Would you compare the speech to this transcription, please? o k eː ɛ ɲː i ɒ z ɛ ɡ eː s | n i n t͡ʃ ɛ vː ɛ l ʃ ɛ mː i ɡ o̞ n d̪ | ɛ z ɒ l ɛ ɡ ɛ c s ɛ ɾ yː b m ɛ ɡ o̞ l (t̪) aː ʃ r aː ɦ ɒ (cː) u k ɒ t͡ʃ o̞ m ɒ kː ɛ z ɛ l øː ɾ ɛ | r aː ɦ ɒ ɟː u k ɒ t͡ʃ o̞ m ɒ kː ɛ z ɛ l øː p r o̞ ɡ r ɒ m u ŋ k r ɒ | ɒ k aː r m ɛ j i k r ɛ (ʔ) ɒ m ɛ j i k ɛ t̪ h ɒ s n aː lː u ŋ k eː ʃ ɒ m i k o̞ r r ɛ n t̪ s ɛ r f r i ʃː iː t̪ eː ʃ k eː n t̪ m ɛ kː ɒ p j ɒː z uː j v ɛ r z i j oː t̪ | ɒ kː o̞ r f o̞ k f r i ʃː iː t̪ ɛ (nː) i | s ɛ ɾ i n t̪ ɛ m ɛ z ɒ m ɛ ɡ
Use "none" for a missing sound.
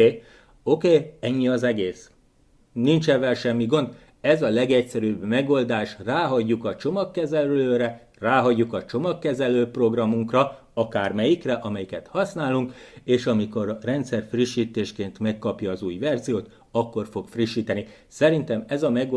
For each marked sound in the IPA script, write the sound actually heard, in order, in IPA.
d̪, ɟː, ʔ, n

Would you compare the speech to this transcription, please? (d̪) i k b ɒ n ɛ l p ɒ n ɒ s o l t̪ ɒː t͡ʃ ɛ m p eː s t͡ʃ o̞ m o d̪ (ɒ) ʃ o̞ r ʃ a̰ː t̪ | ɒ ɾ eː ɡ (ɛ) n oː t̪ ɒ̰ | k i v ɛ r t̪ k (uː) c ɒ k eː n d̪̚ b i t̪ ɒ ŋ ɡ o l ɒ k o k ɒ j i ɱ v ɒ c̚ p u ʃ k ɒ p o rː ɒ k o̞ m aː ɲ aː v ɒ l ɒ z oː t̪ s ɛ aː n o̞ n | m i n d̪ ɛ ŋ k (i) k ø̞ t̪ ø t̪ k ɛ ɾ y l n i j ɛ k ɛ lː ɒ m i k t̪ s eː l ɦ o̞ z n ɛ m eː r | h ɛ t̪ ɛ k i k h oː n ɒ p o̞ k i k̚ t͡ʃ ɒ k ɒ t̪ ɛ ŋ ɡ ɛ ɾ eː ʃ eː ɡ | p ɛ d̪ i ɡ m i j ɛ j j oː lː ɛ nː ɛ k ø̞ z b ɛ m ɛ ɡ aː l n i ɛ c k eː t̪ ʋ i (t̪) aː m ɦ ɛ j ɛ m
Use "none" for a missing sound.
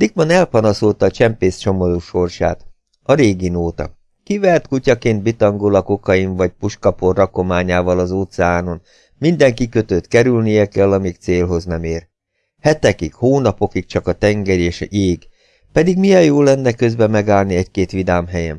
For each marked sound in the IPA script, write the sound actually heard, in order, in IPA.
d̪, u, i, u, i, d̪

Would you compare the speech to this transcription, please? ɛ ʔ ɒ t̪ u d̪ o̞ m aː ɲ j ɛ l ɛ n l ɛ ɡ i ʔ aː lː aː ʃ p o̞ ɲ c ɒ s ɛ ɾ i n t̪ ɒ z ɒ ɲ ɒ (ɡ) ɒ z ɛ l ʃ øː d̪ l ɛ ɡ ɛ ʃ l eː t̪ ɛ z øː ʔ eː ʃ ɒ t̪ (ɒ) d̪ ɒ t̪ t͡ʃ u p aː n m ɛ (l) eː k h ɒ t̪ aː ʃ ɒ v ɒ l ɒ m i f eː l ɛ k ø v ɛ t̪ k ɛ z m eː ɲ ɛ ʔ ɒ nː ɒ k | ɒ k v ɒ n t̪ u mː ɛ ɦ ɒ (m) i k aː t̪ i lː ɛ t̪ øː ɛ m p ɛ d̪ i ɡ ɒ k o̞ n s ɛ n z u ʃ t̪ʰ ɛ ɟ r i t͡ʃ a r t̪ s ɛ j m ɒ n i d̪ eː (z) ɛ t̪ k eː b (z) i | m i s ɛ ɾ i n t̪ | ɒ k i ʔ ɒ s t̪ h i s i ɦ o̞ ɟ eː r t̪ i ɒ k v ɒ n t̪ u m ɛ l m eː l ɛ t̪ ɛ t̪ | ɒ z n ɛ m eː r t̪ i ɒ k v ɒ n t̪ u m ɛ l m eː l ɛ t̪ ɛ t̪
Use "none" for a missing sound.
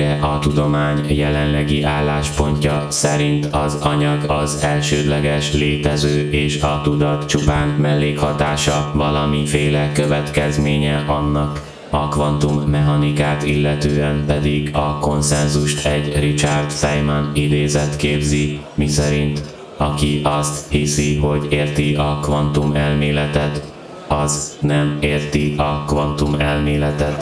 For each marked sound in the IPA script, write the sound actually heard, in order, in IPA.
ɡ, u, lː, n, z, z

